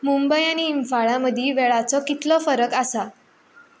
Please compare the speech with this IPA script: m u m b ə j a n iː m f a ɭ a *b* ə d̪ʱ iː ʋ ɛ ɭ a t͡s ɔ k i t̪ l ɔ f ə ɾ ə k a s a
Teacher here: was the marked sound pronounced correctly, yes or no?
no